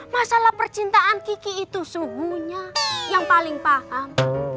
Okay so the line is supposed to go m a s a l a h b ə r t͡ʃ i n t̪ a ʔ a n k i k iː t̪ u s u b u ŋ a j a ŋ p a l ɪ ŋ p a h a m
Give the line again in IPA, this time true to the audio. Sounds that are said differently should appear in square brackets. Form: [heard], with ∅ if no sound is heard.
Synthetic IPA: m a s a l a h [p] ə r t͡ʃ i n t̪ a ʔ a n k i k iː t̪ u s u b u [ɲ] a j a ŋ p a l ɪ ŋ p a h a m